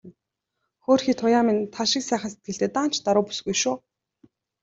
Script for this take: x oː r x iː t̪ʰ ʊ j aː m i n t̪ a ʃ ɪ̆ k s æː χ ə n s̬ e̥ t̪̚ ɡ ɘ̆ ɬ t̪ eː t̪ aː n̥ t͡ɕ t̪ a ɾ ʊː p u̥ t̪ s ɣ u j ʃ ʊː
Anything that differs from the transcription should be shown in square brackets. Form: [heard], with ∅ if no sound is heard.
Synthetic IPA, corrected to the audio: x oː r x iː t̪ʰ ʊ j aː m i n [t̪ʰ] a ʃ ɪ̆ k s æː χ ə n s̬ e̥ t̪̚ ɡ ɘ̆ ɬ t̪ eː t̪ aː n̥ t͡ɕ t̪ a ɾ ʊː p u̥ [∅] s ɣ u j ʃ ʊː

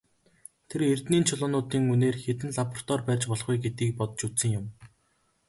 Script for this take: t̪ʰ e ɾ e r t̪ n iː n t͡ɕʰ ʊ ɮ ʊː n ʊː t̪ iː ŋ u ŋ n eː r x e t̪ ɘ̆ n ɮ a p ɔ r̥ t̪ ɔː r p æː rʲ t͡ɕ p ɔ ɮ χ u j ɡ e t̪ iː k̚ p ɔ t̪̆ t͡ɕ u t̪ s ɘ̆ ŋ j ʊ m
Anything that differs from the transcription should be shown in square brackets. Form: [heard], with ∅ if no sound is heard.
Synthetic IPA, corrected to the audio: t̪ʰ e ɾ e r t̪ n iː n t͡ɕʰ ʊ ɮ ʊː n ʊː t̪ iː ŋ u [∅] n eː r x e t̪ ɘ̆ n ɮ a p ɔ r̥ t̪ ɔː r p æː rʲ t͡ɕ p ɔ ɮ χ u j ɡ e t̪ iː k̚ p ɔ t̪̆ t͡ɕ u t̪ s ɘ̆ ŋ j ʊ m

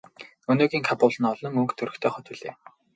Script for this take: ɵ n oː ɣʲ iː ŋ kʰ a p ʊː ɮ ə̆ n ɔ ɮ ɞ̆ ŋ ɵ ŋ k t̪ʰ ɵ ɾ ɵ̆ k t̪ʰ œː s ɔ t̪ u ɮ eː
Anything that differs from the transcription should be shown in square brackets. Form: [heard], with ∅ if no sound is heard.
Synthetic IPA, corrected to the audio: ɵ n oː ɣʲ iː ŋ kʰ a p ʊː ɮ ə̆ n ɔ ɮ ɞ̆ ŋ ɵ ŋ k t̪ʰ ɵ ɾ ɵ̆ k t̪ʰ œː [χ] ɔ t̪ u ɮ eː

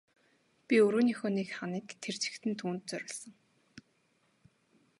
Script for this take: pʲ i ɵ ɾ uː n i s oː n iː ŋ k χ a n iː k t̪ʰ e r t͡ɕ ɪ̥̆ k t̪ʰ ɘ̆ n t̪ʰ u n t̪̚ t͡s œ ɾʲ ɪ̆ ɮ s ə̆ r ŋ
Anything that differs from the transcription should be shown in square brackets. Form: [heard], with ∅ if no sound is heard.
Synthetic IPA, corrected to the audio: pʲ i ɵ ɾ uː n i [x] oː n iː [∅] k χ a n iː k t̪ʰ e r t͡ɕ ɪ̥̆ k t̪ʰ ɘ̆ n t̪ʰ [uː] n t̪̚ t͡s œ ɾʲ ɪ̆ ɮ s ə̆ [∅] ŋ

